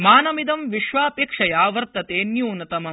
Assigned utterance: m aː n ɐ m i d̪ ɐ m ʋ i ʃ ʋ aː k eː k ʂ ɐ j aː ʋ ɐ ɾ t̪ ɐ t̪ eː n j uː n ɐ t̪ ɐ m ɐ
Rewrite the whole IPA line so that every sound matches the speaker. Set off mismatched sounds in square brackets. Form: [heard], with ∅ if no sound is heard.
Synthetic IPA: m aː n ɐ m i d̪ ɐ m ʋ i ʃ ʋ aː [p] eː k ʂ ɐ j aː ʋ ɐ ɾ t̪ ɐ t̪ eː n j uː n ɐ t̪ ɐ m ɐ